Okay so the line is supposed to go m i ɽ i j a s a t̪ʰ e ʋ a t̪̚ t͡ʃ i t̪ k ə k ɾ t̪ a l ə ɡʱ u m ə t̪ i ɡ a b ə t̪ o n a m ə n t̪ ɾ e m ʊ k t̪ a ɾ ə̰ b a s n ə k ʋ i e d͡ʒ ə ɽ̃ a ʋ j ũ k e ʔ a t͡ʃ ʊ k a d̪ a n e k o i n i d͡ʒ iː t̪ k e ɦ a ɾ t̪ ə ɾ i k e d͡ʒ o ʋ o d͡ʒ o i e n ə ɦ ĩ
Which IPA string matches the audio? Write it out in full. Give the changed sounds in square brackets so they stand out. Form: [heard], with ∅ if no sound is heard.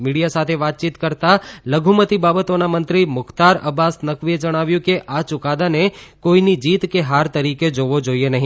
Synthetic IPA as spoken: m i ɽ i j a s a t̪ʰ e ʋ a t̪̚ t͡ʃ i t̪ k ə [∅] ɾ t̪ a l ə ɡʱ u m ə t̪ i [b] a b ə t̪ o n a m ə n t̪ ɾ [i] m ʊ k t̪ a ɾ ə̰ b a s n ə k ʋ i e d͡ʒ ə ɽ̃ a ʋ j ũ k e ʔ a t͡ʃ ʊ k a d̪ a n e k o i n i d͡ʒ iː t̪ k e ɦ a ɾ t̪ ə ɾ i k e d͡ʒ o ʋ o d͡ʒ o i e n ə ɦ ĩ